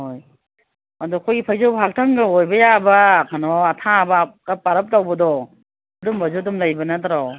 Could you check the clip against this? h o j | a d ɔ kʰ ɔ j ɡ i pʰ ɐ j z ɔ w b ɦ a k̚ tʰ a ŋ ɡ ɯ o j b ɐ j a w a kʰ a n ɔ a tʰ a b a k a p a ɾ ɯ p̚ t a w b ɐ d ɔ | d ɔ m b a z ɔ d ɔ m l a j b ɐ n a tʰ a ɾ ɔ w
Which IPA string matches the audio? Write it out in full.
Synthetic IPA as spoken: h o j | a d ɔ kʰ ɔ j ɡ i pʰ a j z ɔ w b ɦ a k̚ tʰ a ŋ ɡ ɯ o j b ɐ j a b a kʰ a n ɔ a tʰ a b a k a p a ɾ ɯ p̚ t a w b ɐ d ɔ | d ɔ m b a z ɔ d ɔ m l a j b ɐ n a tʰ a ɾ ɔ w